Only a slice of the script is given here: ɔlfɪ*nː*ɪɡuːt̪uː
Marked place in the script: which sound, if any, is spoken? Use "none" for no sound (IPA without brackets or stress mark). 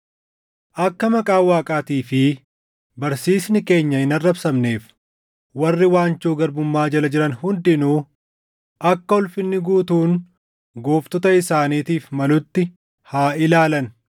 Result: nː